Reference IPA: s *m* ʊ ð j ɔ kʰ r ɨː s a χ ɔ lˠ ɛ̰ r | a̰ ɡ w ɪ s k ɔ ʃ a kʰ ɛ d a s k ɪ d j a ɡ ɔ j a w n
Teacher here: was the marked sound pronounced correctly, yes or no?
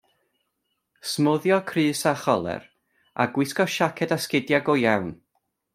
yes